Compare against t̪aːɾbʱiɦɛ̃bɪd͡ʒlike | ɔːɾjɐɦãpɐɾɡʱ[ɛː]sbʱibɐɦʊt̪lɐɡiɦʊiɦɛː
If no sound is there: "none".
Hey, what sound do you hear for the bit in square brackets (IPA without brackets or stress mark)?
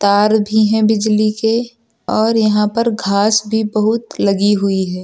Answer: aː